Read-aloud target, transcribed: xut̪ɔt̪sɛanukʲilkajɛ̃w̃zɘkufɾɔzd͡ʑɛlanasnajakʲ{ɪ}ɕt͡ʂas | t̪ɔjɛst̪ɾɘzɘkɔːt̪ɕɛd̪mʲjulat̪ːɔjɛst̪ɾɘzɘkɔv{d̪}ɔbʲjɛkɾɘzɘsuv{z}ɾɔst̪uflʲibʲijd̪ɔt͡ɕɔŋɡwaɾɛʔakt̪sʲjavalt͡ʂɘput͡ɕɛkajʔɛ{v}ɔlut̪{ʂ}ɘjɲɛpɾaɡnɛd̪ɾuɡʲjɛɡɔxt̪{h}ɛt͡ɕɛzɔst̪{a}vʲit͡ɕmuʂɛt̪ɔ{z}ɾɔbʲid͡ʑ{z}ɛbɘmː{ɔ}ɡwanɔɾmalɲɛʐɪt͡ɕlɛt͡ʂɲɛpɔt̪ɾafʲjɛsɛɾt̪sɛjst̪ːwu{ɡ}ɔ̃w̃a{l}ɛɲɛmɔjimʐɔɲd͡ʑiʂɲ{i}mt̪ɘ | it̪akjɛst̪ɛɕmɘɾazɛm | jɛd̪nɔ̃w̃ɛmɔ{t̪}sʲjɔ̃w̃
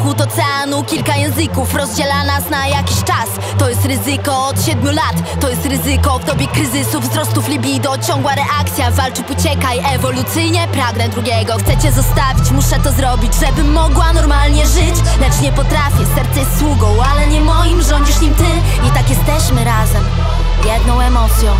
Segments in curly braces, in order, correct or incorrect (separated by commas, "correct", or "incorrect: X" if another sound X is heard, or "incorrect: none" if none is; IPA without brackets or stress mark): incorrect: i, correct, correct, correct, incorrect: s, incorrect: s, correct, correct, incorrect: ʐ, correct, correct, correct, correct, correct